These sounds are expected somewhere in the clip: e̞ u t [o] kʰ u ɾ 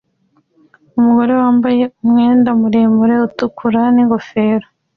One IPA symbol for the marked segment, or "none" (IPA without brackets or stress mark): u